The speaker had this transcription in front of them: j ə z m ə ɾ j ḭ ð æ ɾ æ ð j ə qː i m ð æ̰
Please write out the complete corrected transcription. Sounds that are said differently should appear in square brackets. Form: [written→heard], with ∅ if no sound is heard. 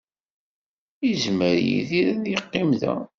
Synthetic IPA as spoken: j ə z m ə ɾ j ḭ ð [æ→i] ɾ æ ð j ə qː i m ð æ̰